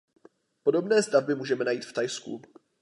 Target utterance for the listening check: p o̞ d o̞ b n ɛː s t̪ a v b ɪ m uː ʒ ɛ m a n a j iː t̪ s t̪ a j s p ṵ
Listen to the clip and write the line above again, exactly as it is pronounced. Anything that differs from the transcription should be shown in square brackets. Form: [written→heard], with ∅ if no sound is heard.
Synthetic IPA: p o̞ d o̞ b n ɛː s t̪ a v b ɪ m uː ʒ ɛ m [a→ɛ] n a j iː t̪ [s→f] t̪ a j s [p→k] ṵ